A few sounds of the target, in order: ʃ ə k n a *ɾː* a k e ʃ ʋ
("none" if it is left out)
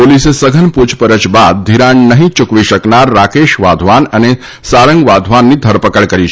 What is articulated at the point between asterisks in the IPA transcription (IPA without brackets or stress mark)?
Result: ɾː